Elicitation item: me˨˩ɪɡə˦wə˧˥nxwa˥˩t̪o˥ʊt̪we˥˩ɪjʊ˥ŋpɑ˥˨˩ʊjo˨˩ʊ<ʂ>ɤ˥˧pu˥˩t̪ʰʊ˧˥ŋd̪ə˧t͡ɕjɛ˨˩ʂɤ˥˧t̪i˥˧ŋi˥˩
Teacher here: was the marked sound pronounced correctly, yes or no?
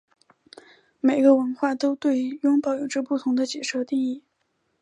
no